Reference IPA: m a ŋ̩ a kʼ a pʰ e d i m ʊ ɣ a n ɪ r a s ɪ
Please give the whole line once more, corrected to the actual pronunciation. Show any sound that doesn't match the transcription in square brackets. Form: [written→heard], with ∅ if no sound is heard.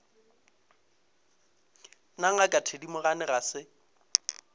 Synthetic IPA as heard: [m→n] a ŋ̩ a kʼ a [pʰ→tʰ] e d i m ʊ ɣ a n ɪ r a s ɪ